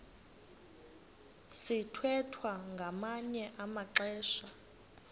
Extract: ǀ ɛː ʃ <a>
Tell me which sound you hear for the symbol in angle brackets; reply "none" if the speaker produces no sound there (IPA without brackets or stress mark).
a